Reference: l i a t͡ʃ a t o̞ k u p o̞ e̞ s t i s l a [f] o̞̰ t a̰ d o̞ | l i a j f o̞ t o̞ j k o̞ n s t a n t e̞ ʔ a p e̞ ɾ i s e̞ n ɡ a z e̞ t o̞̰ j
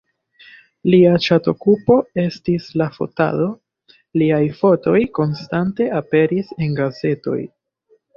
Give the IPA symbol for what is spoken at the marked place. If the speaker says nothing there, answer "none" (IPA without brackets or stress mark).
f